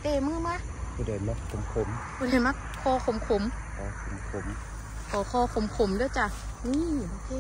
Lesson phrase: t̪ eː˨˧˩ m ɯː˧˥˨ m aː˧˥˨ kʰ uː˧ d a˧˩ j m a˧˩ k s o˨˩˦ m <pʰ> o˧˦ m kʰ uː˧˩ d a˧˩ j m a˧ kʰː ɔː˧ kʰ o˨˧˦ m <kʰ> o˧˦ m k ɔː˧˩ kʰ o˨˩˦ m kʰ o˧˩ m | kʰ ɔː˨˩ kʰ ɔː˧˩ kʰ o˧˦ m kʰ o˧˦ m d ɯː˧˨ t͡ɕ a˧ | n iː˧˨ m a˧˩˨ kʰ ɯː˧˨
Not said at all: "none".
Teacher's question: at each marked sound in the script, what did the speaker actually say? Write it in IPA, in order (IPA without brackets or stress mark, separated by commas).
kʰ, kʰ